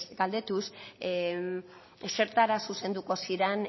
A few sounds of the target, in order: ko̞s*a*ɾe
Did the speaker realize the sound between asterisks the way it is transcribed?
no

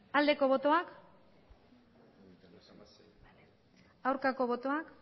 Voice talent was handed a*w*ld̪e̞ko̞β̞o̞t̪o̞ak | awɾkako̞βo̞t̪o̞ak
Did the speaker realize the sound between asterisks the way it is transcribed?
no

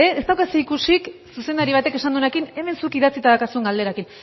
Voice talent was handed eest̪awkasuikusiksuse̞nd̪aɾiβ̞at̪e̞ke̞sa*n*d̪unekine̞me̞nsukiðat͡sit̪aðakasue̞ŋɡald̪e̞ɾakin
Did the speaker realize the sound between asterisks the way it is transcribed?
yes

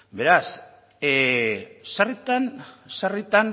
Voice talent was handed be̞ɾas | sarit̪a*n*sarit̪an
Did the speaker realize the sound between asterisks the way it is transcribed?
yes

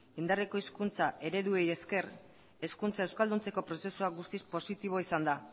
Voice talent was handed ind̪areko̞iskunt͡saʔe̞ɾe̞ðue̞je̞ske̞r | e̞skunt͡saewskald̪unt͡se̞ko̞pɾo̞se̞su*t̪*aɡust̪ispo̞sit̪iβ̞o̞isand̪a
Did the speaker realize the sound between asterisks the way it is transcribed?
no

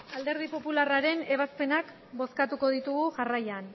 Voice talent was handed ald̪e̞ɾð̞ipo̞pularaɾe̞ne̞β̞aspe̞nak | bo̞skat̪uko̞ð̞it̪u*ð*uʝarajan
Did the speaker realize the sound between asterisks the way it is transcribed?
no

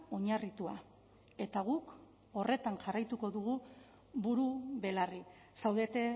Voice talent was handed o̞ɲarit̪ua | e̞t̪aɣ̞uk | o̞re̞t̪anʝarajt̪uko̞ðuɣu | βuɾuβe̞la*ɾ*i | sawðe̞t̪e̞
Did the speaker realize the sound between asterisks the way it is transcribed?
no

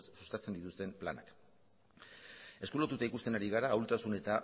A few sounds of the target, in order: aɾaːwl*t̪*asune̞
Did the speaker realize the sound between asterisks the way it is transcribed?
yes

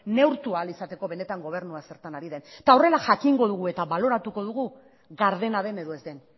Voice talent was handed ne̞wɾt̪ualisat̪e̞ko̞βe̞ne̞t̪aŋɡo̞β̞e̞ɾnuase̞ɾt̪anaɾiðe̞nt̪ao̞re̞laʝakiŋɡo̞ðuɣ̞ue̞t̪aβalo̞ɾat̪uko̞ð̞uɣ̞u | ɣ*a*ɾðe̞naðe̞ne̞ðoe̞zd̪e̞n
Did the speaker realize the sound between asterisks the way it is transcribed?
yes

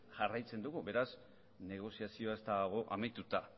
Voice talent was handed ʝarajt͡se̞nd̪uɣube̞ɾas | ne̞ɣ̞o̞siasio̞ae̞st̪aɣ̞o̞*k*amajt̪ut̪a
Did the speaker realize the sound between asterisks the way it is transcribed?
no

